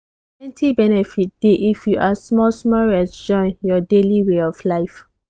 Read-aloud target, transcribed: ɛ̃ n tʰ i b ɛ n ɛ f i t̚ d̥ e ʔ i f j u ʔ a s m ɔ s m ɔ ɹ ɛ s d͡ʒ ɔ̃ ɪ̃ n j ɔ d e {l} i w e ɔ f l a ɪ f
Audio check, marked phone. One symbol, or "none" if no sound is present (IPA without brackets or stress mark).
l